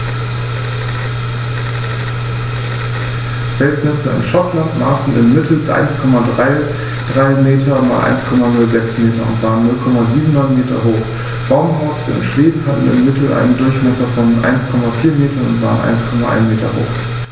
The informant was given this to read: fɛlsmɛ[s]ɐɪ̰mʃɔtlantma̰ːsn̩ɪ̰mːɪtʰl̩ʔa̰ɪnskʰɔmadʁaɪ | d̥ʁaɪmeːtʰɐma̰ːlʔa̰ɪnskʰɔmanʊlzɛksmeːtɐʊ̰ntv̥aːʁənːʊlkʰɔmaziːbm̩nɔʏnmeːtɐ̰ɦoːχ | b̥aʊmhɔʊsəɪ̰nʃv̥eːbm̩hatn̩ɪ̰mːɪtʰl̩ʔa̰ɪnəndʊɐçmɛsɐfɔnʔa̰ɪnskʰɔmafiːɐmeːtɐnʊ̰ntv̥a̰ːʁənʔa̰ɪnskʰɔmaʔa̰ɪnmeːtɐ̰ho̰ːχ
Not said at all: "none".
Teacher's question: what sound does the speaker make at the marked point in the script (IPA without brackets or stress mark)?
s